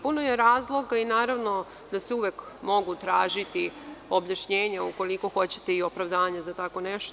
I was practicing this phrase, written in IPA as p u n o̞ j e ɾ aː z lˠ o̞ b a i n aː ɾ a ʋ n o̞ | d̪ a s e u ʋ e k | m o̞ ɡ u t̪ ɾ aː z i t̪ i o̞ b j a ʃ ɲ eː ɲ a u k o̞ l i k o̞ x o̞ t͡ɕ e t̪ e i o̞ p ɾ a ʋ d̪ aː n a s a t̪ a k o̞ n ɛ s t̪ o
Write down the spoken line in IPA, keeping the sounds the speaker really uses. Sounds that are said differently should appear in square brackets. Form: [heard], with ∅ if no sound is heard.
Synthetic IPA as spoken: p u n o̞ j e ɾ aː z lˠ o̞ [ɡ] a i n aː ɾ a ʋ n o̞ | d̪ a s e u ʋ e k | m o̞ ɡ u t̪ ɾ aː [ʒ] i t̪ i o̞ b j a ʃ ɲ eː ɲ a u k o̞ l i k o̞ x o̞ t͡ɕ e t̪ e i o̞ p ɾ a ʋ d̪ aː [ɲ] a [z] a t̪ a k o̞ n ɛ [ʃ] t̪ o